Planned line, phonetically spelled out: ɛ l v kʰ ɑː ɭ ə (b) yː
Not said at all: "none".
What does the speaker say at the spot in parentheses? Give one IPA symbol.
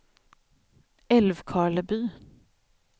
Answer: b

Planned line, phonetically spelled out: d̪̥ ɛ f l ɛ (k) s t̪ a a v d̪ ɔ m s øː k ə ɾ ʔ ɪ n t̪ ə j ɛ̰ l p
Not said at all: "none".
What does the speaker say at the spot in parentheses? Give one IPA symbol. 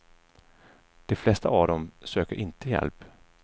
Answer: none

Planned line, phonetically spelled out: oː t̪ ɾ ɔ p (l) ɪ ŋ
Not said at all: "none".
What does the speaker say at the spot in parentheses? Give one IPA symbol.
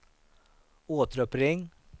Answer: ɾ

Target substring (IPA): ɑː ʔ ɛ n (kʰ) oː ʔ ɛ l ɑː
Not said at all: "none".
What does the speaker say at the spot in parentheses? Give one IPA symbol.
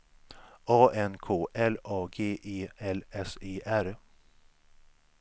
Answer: kʰ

